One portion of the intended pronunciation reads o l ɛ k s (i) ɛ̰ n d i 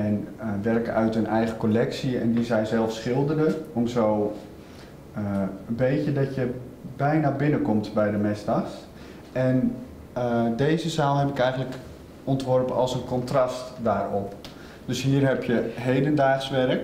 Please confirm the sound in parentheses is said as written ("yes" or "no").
yes